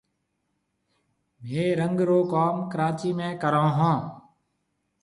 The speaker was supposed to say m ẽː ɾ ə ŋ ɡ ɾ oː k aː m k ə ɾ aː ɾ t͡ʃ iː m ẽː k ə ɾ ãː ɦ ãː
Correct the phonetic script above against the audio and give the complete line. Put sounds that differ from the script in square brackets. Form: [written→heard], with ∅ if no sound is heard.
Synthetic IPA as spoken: m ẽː ɾ ə ŋ ɡ ɾ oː k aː m k ə ɾ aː [ɾ→∅] t͡ʃ iː m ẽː k ə ɾ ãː ɦ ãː